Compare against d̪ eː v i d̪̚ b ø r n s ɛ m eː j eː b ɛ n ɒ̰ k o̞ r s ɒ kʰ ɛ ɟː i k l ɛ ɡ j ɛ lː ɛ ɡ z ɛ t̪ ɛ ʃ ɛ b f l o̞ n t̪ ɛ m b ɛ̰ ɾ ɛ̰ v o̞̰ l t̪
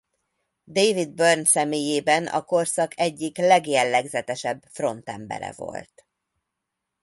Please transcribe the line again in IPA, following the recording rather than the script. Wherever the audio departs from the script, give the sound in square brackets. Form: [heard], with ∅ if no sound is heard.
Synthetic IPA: d̪ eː v i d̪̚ b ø r n s ɛ m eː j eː b ɛ n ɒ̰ k o̞ r s ɒ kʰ ɛ ɟː i k l ɛ ɡ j ɛ lː ɛ ɡ z ɛ t̪ ɛ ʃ ɛ b f [r] o̞ n t̪ ɛ m b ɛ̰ ɾ ɛ̰ v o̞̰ l t̪